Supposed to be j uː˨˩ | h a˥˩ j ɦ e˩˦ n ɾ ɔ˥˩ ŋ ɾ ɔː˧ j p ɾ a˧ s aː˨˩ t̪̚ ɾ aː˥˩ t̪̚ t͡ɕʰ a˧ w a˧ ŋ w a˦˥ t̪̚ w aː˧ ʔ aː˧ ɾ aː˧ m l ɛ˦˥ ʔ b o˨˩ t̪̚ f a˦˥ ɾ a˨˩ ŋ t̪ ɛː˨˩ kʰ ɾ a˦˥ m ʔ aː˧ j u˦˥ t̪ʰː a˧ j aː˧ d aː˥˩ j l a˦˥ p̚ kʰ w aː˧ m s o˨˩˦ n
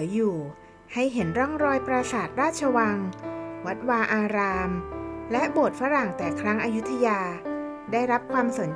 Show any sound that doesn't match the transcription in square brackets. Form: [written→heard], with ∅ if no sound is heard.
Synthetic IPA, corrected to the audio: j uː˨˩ | h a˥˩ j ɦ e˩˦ n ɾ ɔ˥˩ ŋ ɾ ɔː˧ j p ɾ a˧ s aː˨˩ t̪̚ ɾ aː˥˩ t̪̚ t͡ɕʰ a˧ w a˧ ŋ w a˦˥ t̪̚ w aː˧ ʔ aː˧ ɾ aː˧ m l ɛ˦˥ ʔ b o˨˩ t̪̚ f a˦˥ ɾ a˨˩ ŋ t̪ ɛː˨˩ kʰ ɾ a˦˥ [m→ŋ] ʔ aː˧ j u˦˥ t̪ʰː a˧ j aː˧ d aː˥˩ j [l→ɾ] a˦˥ p̚ kʰ w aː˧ m s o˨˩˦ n